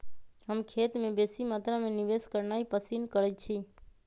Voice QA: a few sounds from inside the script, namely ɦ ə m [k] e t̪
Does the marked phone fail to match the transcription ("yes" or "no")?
yes